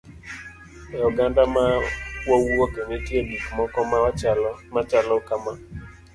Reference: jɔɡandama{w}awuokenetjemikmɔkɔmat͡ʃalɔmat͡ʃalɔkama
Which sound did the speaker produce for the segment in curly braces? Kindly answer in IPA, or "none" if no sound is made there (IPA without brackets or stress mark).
w